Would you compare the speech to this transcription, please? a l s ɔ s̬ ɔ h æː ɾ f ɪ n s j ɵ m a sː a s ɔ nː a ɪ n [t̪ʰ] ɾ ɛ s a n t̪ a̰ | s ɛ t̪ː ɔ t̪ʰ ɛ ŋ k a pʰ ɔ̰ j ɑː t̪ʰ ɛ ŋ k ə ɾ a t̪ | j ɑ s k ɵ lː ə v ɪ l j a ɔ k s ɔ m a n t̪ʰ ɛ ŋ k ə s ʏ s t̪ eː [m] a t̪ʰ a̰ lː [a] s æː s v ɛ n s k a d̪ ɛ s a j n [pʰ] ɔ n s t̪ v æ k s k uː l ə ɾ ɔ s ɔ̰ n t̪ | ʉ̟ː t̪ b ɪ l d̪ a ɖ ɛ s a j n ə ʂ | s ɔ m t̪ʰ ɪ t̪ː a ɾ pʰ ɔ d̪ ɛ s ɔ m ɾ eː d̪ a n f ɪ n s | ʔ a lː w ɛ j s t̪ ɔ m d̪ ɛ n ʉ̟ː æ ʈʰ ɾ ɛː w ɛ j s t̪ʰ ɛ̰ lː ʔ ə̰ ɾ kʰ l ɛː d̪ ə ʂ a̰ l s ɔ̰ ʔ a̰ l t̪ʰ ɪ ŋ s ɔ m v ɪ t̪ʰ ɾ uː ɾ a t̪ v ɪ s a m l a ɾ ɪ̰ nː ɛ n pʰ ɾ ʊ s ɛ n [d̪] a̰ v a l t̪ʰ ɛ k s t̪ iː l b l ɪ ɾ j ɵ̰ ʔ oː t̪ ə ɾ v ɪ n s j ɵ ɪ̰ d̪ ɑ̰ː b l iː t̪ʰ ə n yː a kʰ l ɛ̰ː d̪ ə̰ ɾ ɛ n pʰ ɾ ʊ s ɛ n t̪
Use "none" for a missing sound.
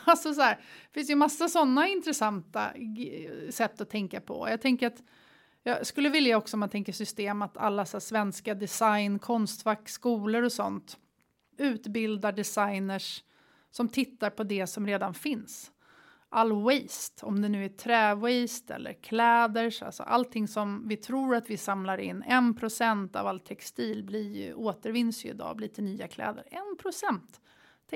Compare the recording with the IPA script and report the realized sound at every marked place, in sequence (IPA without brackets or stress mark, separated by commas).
t̪, m, a, kʰ, t̪